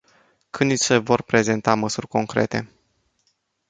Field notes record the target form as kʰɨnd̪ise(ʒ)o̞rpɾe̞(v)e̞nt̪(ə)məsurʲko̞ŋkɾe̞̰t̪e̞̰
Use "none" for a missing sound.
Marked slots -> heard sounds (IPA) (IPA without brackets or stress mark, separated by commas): v, z, a